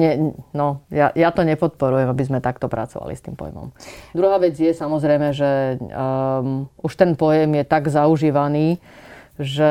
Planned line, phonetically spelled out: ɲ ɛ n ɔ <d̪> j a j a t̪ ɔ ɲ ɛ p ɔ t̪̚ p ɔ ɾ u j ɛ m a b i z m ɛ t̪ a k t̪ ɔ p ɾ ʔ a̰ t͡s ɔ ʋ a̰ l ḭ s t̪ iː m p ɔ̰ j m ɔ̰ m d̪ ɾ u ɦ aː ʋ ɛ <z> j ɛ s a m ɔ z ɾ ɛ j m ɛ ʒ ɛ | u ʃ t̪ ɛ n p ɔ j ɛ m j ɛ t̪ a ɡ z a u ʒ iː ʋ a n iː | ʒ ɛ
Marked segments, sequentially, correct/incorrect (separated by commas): incorrect, incorrect